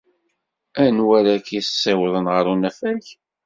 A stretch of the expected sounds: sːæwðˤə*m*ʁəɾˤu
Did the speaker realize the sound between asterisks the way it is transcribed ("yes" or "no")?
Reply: no